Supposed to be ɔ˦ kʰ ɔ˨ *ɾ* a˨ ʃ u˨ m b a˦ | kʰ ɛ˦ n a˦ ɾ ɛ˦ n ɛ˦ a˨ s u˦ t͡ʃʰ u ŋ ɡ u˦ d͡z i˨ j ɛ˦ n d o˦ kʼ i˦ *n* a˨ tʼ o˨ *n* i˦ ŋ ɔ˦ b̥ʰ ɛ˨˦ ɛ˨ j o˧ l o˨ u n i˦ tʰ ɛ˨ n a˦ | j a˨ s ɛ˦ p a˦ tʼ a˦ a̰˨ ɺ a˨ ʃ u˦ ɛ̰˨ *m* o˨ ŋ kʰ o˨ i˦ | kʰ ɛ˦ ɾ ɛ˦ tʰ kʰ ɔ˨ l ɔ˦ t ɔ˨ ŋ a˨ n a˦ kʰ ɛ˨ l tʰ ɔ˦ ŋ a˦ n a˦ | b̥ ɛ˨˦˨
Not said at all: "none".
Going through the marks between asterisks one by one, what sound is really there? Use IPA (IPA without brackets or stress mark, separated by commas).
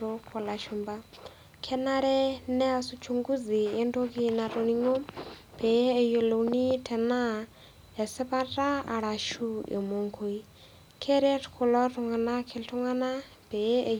l, n, n, m